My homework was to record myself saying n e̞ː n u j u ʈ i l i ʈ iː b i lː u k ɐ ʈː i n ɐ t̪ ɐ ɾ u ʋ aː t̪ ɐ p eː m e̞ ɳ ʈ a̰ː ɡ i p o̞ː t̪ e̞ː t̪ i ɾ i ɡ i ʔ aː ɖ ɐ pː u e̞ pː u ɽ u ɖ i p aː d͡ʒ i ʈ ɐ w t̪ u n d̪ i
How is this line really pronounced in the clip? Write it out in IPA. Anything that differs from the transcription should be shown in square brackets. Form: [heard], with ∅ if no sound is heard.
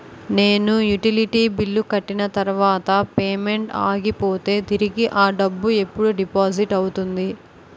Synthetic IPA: n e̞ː n u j u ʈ i l i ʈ iː b i lː u k ɐ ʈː i n ɐ t̪ ɐ ɾ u ʋ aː t̪ ɐ p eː m e̞ ɳ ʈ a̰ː ɡ i p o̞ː t̪ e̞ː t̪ i ɾ i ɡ i ʔ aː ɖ ɐ [bː] u e̞ pː u ɽ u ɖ i p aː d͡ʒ i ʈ ɐ w t̪ u n d̪ i